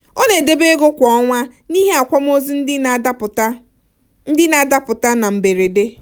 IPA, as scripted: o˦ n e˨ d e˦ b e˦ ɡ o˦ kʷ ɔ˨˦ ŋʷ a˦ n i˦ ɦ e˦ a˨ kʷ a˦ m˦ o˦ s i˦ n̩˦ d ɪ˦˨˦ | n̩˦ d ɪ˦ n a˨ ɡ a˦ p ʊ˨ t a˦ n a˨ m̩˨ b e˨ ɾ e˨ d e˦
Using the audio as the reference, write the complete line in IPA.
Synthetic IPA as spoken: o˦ n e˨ d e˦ b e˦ ɡ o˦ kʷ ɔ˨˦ ŋʷ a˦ n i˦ ɦ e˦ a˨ kʷ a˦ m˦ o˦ z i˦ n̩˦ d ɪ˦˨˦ | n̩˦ d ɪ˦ n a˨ d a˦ p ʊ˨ t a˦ n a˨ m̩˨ b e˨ ɾ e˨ d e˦